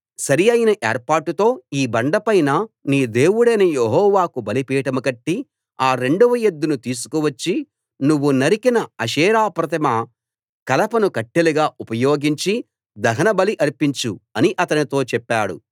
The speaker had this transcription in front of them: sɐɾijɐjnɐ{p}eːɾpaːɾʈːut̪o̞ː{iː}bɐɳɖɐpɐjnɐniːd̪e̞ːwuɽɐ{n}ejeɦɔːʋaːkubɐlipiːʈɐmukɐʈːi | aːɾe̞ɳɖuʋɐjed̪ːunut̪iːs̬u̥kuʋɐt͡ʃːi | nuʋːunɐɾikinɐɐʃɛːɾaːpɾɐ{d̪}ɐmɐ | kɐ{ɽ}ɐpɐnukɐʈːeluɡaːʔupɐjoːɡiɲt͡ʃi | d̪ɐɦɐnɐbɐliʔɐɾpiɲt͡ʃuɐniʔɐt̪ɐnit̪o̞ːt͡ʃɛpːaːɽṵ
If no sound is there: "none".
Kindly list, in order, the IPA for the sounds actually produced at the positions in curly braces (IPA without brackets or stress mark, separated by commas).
ʔ, iː, n, t̪, l